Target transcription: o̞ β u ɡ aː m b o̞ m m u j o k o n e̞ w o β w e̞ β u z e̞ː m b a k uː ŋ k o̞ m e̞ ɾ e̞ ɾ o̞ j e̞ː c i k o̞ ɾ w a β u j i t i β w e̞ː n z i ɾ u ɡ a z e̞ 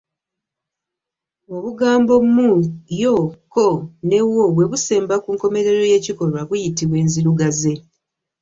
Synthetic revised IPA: o̞ β u ɡ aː m b o̞ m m u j o k o n e̞ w o β w e̞ β u s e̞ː m b a k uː ŋ k o̞ m e̞ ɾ e̞ ɾ o̞ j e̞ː c i k o̞ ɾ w a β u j i t i β w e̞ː n z i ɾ u ɡ a z e̞